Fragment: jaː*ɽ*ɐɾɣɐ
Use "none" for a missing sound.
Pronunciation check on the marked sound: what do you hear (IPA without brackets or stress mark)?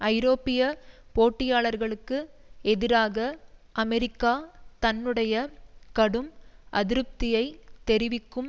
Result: ɭ